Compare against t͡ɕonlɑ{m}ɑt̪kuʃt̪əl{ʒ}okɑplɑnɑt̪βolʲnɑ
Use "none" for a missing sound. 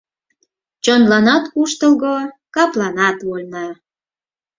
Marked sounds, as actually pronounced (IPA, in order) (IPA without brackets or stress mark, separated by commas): n, ɣ